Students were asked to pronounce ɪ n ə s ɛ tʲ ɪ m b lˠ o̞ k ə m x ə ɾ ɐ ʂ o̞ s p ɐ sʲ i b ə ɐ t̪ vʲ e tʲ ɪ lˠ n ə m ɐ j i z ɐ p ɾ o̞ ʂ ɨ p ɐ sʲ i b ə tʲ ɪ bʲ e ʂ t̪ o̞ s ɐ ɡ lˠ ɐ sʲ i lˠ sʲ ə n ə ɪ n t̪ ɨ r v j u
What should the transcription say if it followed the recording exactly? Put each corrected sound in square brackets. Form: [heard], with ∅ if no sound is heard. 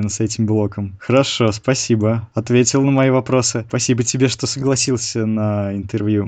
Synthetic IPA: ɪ n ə s ɛ tʲ ɪ m b lˠ o̞ k ə m x ə ɾ ɐ ʂ o̞ s p ɐ sʲ i b ə ɐ t̪ vʲ e tʲ ɪ lˠ n ə m ɐ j i [v] ɐ p ɾ o̞ [s] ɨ p ɐ sʲ i b ə tʲ ɪ bʲ e ʂ t̪ o̞ s [ə] ɡ lˠ ɐ sʲ i lˠ sʲ ə n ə ɪ n t̪ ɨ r v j u